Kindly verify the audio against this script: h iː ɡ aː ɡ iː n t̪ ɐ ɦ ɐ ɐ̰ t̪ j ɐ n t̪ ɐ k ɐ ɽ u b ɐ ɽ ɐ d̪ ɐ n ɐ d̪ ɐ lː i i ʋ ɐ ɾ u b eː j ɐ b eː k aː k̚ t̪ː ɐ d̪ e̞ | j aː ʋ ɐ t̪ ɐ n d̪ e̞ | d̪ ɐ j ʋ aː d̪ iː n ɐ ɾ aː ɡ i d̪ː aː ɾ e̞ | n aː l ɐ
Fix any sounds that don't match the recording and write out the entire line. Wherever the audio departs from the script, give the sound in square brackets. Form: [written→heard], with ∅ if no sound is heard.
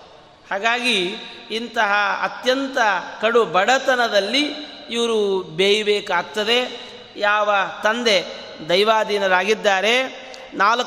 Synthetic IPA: h [iː→aː] ɡ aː ɡ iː n t̪ ɐ ɦ ɐ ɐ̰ t̪ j ɐ n t̪ ɐ k ɐ ɽ u b ɐ ɽ ɐ [d̪→t̪] ɐ n ɐ d̪ ɐ lː i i ʋ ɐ ɾ u b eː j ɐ b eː k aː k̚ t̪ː ɐ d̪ e̞ | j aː ʋ ɐ t̪ ɐ n d̪ e̞ | d̪ ɐ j ʋ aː d̪ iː n ɐ ɾ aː ɡ i d̪ː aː ɾ e̞ | n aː l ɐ